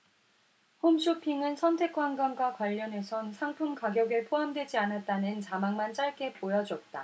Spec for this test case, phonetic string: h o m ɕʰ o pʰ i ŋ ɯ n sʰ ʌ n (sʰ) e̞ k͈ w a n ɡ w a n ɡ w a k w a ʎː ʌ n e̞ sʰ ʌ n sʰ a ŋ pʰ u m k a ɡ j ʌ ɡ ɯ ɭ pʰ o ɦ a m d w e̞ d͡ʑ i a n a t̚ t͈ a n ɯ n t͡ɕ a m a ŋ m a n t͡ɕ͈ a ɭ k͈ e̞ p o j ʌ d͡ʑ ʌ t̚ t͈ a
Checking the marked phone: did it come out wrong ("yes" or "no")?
yes